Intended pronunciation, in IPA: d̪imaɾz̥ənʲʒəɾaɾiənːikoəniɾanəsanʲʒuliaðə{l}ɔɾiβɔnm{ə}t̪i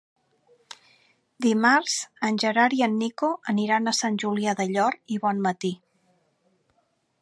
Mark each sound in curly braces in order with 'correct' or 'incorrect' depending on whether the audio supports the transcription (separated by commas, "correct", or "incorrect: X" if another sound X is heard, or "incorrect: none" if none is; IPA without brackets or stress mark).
incorrect: ʎ, correct